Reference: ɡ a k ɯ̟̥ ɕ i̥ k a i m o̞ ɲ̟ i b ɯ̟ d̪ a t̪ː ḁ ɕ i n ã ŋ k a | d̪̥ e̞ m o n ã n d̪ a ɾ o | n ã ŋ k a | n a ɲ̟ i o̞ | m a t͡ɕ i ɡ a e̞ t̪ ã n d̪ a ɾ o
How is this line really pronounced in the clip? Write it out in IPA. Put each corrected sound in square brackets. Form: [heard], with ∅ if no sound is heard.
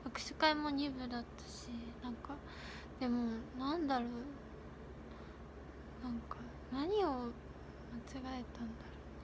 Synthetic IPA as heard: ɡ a k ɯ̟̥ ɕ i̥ k a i m o̞ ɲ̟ i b ɯ̟ d̪ a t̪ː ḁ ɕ i n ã ŋ k a | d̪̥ e̞ m o n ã n d̪ a ɾ o | n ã ŋ k a | n a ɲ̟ i o̞ | m a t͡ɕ i ɡ a e̞ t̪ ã n d̪ a ɾ o